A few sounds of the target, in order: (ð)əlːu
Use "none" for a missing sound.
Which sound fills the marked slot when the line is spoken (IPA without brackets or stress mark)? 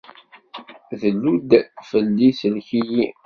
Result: ð